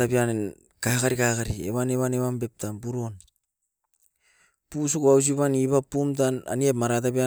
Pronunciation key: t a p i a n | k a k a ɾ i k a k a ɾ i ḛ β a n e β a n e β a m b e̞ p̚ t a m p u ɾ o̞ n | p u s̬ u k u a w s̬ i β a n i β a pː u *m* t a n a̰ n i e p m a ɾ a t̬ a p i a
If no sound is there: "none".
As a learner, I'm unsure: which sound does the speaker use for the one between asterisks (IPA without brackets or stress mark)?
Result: m